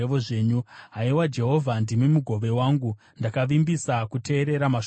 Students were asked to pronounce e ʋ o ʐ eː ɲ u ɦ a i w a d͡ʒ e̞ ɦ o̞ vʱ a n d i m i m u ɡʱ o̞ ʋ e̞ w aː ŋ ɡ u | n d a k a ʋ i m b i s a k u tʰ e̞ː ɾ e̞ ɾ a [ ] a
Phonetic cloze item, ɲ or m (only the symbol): m